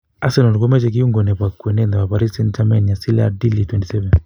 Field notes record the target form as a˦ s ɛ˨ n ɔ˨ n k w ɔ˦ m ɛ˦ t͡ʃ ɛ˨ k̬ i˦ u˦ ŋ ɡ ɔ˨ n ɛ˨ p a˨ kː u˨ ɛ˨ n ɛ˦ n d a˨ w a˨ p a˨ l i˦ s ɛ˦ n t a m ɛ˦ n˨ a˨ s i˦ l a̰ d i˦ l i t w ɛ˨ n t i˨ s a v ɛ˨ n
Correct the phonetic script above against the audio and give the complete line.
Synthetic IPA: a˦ s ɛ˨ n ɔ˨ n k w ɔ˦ m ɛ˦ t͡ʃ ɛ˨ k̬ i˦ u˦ ŋ ɡ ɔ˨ n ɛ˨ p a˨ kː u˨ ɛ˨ n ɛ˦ n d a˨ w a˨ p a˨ ɾ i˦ s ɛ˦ n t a m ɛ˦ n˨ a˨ s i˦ l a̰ d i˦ l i t w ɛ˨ n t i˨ s ɛ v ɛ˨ n